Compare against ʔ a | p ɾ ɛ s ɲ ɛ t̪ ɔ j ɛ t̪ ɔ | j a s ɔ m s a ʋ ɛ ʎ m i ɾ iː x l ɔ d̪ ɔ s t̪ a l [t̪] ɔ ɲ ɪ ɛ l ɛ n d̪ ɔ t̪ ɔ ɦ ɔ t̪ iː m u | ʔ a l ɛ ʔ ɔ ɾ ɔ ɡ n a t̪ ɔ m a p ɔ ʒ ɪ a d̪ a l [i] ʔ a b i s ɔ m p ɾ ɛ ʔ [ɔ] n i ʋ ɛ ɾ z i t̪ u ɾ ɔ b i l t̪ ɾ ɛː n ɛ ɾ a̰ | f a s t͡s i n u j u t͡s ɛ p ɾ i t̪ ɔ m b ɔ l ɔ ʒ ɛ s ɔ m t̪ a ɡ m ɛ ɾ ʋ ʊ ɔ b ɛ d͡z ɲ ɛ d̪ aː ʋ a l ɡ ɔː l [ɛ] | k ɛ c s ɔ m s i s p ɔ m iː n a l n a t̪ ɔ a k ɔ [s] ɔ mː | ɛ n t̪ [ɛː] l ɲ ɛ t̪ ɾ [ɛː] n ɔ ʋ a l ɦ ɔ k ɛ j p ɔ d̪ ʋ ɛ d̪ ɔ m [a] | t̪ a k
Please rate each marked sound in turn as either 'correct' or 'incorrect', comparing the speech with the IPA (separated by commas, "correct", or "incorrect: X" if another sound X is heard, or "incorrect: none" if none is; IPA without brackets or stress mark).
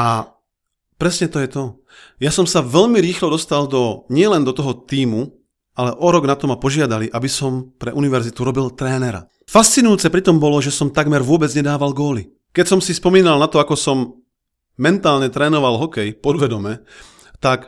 incorrect: d̪, correct, incorrect: u, incorrect: i, correct, incorrect: aː, correct, incorrect: ɛ